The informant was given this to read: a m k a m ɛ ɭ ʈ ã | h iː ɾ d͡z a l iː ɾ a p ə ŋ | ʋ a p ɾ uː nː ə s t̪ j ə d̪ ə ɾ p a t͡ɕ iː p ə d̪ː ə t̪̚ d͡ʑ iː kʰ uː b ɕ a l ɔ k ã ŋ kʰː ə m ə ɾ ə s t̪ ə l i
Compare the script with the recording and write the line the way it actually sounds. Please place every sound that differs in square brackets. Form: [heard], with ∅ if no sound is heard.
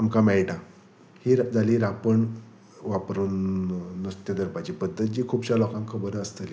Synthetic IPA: a m k a m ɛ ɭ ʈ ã | h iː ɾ d͡z a l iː ɾ a p ə [ɳ] | ʋ a p ɾ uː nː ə s t̪ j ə d̪ ə ɾ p a t͡ɕ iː p ə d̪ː ə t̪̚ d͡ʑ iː kʰ uː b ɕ a l ɔ k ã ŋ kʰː ə [b] ə ɾ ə s t̪ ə l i